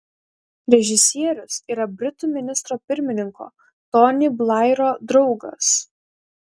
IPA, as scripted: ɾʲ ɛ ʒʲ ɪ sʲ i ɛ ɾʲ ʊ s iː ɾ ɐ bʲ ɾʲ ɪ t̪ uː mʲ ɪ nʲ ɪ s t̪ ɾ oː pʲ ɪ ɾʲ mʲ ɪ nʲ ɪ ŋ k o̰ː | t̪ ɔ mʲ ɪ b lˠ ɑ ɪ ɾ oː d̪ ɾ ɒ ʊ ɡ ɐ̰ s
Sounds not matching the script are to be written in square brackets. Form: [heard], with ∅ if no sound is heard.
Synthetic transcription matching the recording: ɾʲ ɛ ʒʲ ɪ sʲ i ɛ ɾʲ ʊ s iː ɾ ɐ bʲ ɾʲ ɪ t̪ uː mʲ ɪ nʲ ɪ s t̪ ɾ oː pʲ ɪ ɾʲ mʲ ɪ nʲ ɪ ŋ k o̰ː | t̪ ɔ [nʲ] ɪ b lˠ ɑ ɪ ɾ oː d̪ ɾ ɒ ʊ ɡ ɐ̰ s